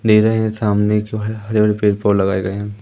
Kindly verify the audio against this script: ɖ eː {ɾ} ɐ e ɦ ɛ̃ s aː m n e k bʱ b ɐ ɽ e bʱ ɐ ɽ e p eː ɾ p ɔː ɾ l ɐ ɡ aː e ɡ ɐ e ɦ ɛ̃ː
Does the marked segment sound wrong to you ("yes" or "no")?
no